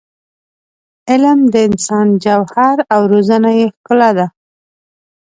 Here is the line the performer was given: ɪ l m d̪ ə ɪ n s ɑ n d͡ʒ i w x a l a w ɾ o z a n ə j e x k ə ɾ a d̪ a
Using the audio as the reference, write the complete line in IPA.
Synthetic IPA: ɪ l m d̪ ə ɪ n s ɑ n d͡ʒ a w h a ɾ a w ɾ o z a n a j e x k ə l a d̪ a